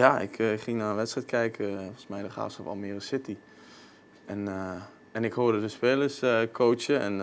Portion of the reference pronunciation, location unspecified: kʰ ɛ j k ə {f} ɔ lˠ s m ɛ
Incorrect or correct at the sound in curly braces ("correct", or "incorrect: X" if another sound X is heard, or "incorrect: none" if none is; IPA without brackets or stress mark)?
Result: correct